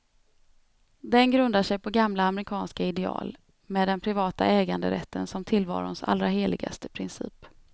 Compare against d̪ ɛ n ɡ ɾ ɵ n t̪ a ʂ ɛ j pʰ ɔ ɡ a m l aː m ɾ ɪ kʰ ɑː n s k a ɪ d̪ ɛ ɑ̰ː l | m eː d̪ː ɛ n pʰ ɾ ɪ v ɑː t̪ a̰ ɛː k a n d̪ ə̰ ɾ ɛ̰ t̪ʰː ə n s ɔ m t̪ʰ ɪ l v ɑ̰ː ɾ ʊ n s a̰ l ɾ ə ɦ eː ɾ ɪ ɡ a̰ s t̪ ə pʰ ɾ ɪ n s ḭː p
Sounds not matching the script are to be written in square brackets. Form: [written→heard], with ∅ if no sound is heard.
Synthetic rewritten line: d̪ ɛ n ɡ ɾ ɵ n [t̪→d̪] a ʂ ɛ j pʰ ɔ ɡ a m l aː m ɾ ɪ kʰ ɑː n s k a ɪ d̪ ɛ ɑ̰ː l | m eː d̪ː ɛ n pʰ ɾ ɪ v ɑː t̪ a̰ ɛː [k→ɡ] a n d̪ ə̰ ɾ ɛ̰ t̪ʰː ə n s ɔ m t̪ʰ ɪ l v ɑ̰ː ɾ ʊ n s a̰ l ɾ [ə→a] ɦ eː [ɾ→l] ɪ ɡ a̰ s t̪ ə pʰ ɾ ɪ n s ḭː p

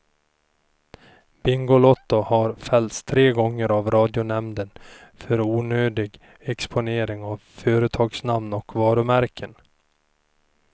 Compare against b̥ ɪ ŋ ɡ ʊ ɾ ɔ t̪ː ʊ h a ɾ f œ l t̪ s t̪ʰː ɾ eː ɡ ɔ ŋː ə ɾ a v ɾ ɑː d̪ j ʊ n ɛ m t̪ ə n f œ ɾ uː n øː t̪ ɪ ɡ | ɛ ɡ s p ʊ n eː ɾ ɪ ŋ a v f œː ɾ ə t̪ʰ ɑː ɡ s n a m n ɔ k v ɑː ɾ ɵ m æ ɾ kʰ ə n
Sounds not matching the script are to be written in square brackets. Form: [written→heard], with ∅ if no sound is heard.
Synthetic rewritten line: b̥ ɪ ŋ ɡ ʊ [ɾ→l] ɔ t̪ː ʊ h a ɾ f [œ→ɛ] l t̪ s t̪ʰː ɾ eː ɡ ɔ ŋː ə ɾ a v ɾ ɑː d̪ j ʊ n ɛ m [t̪→d̪] ə n f œ ɾ uː n øː [t̪→d̪] ɪ ɡ | ɛ [ɡ→k] s p ʊ n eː ɾ ɪ ŋ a v f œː ɾ ə t̪ʰ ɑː ɡ s n a m n ɔ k v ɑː ɾ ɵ m æ ɾ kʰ ə n

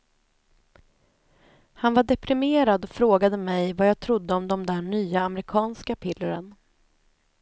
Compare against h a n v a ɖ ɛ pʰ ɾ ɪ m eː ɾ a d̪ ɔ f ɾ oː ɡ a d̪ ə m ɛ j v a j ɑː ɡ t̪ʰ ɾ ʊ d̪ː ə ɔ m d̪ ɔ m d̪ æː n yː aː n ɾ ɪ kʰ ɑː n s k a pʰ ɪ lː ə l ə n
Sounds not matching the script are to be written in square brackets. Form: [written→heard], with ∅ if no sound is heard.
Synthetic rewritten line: h a n v a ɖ ɛ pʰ ɾ ɪ m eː ɾ a d̪ ɔ f ɾ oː ɡ a d̪ ə m ɛ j v a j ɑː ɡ t̪ʰ ɾ ʊ d̪ː ə ɔ m d̪ ɔ m d̪ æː [n→ɳ] yː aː [n→m] ɾ ɪ kʰ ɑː n s k a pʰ ɪ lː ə [l→ɾ] ə n

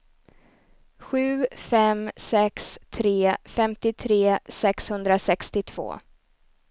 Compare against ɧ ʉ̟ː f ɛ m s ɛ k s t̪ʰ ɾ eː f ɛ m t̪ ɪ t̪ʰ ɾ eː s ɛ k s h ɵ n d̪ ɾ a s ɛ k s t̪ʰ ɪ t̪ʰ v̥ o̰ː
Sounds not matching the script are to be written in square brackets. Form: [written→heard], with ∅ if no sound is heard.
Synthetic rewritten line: ɧ ʉ̟ː f ɛ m s ɛ k s t̪ʰ ɾ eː f ɛ m t̪ ɪ t̪ʰ ɾ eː s ɛ k s h ɵ n d̪ ɾ a s ɛ k s [t̪ʰ→t̪] ɪ t̪ʰ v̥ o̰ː

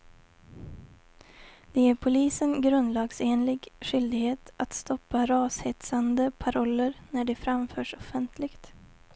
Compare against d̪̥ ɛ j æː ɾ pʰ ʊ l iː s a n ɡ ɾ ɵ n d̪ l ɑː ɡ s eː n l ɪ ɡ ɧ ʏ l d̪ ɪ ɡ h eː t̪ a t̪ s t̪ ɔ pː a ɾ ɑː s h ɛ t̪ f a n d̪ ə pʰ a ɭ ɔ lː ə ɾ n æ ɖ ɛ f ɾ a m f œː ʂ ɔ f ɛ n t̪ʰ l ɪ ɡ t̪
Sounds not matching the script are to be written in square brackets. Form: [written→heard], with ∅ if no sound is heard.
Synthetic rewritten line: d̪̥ ɛ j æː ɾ pʰ ʊ l iː s [a→ə] n ɡ ɾ ɵ n d̪ l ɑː ɡ s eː n l ɪ ɡ ɧ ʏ l d̪ ɪ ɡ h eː t̪ a t̪ s t̪ ɔ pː a ɾ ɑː s h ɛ t̪ [f→s] a n d̪ ə pʰ a [ɭ→ɾ] ɔ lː ə ɾ n æ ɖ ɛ f ɾ a m f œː ʂ ɔ f ɛ n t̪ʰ l ɪ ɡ t̪

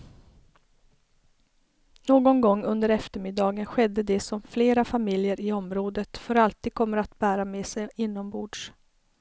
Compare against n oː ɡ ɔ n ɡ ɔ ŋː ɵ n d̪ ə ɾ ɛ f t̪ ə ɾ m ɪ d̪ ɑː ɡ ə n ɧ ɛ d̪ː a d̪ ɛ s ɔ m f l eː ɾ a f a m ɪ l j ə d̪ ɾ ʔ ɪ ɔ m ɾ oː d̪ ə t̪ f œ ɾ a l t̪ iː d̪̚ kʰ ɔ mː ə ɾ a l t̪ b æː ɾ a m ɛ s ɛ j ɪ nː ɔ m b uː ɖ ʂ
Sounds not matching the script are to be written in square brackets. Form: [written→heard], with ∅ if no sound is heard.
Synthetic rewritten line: n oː ɡ ɔ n ɡ ɔ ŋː ɵ n d̪ ə ɾ ɛ f t̪ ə ɾ m ɪ d̪ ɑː ɡ ə n ɧ ɛ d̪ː [a→ə] d̪ ɛ s ɔ m f l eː ɾ a f a m ɪ l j ə [d̪→∅] ɾ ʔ ɪ ɔ m ɾ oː d̪ ə t̪ f œ ɾ a l t̪ iː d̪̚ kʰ ɔ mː ə ɾ a [l→∅] t̪ b æː ɾ a m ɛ s ɛ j ɪ nː ɔ m b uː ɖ ʂ

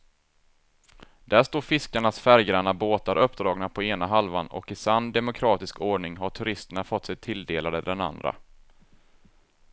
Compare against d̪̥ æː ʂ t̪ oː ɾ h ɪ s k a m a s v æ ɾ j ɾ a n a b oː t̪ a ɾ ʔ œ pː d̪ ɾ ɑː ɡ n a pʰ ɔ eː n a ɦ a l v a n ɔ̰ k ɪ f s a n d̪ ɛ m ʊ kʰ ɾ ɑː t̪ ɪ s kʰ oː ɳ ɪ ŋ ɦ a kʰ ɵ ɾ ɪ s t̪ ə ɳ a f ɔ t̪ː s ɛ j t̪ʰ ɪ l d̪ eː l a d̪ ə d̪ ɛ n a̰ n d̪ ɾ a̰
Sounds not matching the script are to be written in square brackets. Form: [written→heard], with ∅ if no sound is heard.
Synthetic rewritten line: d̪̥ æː ʂ t̪ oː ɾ [h→f] ɪ s k a [m→ɳ] a s [v→f] æ ɾ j ɾ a n a b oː t̪ a ɾ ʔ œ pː d̪ ɾ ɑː ɡ n a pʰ ɔ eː n a ɦ a l v a n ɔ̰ k ɪ [f→∅] s a n d̪ ɛ m ʊ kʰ ɾ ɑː t̪ ɪ s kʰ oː ɳ ɪ ŋ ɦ a [kʰ→ʈʰ] ɵ ɾ ɪ s t̪ ə ɳ a f ɔ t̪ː s ɛ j t̪ʰ ɪ l d̪ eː l a d̪ ə d̪ ɛ n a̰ n d̪ ɾ a̰

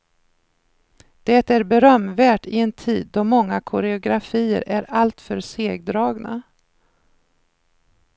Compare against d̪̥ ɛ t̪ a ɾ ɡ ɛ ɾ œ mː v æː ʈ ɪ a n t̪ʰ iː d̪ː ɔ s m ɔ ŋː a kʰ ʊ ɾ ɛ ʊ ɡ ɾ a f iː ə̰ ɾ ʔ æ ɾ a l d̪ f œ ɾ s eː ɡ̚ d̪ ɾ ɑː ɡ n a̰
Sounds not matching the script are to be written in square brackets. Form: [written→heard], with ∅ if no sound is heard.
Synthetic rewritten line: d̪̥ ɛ t̪ [a→æ] ɾ [ɡ→b] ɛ ɾ œ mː v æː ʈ ɪ [a→ɛ] n t̪ʰ iː d̪ː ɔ [s→∅] m ɔ ŋː a kʰ ʊ ɾ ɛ ʊ ɡ ɾ a f iː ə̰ ɾ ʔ æ ɾ a l [d̪→t̪] f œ ɾ s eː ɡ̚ d̪ ɾ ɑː ɡ n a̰

